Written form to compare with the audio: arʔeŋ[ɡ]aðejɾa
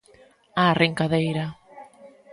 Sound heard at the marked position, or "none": k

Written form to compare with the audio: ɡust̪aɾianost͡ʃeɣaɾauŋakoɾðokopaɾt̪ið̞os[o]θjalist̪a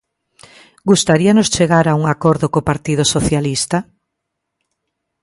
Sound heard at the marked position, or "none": o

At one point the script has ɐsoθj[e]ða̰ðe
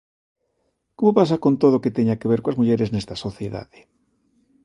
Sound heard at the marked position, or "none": e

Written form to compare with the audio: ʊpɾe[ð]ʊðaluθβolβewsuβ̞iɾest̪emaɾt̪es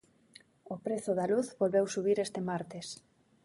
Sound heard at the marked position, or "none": θ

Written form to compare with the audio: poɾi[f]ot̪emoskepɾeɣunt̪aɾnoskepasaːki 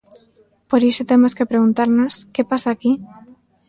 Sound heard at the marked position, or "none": ʃ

